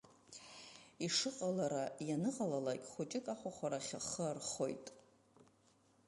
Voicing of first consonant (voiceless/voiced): voiceless